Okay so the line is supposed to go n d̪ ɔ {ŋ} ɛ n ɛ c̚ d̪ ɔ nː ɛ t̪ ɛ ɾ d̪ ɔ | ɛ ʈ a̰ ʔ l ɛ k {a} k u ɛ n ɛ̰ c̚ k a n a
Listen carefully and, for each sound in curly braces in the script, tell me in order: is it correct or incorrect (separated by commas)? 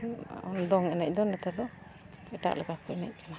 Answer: correct, correct